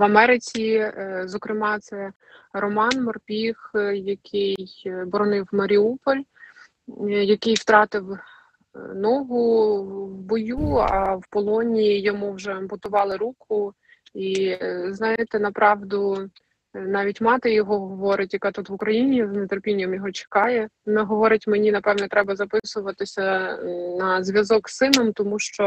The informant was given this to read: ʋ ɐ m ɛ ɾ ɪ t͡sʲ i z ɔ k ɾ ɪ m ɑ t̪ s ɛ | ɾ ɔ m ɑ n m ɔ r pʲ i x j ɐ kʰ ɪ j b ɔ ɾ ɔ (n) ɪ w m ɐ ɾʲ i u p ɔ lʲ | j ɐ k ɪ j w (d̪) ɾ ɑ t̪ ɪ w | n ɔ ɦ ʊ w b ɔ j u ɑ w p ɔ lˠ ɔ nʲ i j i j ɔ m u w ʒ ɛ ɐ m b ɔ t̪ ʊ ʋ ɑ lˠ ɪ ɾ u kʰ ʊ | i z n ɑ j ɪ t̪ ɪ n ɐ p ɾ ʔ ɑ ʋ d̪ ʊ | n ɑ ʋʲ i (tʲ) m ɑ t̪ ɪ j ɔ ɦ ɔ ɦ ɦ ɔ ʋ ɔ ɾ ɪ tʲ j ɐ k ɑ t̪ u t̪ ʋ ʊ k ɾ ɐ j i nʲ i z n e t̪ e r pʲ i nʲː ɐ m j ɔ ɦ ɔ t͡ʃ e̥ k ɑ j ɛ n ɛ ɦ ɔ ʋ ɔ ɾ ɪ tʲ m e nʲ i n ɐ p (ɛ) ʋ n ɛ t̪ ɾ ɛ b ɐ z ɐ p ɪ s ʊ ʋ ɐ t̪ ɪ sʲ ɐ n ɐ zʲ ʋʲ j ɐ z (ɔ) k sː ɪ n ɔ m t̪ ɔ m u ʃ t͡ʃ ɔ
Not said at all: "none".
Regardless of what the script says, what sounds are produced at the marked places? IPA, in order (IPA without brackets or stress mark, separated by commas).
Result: n, t̪, tʲ, ɛ, ɔ